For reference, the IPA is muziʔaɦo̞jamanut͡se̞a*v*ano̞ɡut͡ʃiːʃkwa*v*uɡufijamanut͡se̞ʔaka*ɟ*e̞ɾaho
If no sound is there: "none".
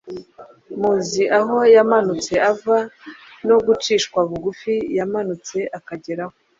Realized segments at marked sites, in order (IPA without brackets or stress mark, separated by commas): v, β, ɟ